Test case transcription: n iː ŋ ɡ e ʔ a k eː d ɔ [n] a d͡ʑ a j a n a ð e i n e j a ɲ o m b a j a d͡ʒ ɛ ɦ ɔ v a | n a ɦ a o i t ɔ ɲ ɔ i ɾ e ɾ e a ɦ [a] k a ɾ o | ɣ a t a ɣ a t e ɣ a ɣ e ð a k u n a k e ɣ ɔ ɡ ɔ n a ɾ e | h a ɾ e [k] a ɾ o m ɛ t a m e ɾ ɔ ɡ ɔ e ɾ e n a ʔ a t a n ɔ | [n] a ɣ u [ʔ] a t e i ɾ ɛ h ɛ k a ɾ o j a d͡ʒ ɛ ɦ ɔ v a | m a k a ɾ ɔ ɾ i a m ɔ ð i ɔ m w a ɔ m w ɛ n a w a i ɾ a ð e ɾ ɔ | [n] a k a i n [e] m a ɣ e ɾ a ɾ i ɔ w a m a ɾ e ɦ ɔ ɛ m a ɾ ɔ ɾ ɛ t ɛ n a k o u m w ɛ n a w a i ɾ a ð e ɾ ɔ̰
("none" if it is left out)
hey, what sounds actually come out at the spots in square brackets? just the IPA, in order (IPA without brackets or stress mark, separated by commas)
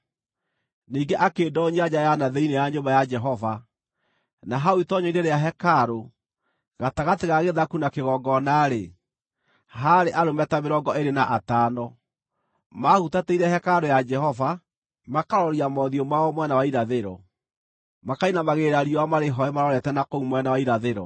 ɲ, ɛ, ʔ, m, t, m, a